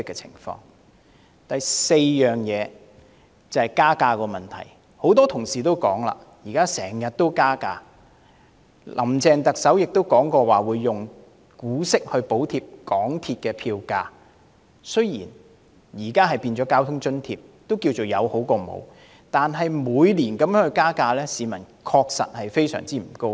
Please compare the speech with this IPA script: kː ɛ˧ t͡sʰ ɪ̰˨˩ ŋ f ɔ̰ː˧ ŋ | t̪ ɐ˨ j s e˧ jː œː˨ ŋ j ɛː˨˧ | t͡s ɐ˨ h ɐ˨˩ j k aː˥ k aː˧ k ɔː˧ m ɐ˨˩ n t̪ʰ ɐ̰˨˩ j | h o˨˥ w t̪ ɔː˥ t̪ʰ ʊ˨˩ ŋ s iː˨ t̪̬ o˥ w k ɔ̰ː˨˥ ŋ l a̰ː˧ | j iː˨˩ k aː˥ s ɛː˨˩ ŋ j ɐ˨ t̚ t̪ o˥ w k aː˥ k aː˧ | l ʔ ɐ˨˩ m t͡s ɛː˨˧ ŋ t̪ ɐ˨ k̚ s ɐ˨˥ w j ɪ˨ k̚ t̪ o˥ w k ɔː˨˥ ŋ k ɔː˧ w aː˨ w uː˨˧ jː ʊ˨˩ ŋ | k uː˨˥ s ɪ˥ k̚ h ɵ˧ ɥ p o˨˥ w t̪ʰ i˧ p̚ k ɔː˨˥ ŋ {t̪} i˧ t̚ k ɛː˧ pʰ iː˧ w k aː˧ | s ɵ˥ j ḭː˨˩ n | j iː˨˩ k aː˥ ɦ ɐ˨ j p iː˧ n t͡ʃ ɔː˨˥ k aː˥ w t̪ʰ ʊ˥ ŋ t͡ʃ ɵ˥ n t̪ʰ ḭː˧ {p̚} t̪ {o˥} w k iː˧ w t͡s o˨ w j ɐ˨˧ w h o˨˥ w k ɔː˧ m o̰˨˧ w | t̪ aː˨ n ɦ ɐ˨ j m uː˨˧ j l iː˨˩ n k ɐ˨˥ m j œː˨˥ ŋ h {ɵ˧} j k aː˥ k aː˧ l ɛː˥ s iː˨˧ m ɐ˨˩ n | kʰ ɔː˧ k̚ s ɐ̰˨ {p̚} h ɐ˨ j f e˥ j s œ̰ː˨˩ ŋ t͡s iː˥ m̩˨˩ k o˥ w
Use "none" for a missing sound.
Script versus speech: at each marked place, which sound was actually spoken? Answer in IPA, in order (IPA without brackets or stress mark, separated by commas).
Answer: t̪ʰ, p̚, o˥, ɵ˧, t̚